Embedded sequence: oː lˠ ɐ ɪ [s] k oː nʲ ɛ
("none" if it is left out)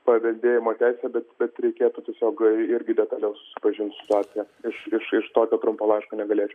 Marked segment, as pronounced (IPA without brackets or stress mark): ʃ